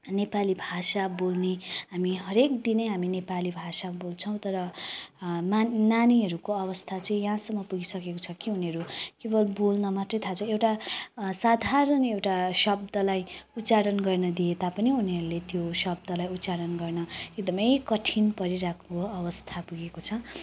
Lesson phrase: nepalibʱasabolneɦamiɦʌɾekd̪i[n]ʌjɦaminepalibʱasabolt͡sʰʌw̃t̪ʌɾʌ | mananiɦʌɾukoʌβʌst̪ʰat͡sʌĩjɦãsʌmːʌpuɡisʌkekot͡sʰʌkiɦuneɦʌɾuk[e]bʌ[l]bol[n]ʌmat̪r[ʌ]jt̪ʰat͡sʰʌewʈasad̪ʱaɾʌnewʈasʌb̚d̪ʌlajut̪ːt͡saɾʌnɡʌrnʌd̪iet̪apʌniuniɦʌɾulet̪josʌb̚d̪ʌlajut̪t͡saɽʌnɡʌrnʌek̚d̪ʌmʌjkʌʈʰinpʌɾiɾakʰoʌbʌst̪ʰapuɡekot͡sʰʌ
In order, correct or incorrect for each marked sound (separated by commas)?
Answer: correct, correct, correct, correct, correct